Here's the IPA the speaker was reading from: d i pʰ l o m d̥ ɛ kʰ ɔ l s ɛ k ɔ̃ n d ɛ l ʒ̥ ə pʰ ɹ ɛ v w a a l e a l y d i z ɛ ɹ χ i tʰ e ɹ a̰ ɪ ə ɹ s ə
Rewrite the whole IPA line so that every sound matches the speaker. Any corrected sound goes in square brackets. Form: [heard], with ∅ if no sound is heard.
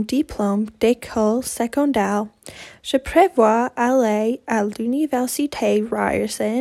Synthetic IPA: d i pʰ l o m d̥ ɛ kʰ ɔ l s ɛ k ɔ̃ n d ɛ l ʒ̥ ə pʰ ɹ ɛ v w a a l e a l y [n] i [v] ɛ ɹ [s] i tʰ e ɹ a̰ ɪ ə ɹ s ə